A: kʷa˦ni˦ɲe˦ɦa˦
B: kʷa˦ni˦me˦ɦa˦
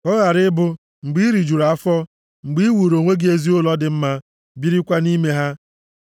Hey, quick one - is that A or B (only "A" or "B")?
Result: B